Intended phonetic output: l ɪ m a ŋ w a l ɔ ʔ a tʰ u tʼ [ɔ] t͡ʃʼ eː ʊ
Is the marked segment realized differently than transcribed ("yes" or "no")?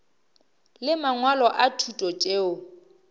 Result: no